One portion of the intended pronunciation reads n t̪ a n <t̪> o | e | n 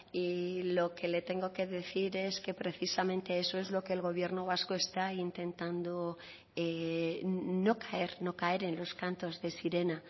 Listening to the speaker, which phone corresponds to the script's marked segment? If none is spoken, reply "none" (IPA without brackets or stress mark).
d̪